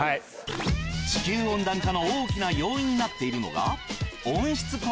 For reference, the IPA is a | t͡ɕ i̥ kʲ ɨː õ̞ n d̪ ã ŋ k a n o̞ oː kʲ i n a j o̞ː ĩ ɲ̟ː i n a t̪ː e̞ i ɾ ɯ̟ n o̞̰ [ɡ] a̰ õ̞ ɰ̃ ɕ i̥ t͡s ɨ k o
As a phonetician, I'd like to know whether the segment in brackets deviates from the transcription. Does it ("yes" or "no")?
no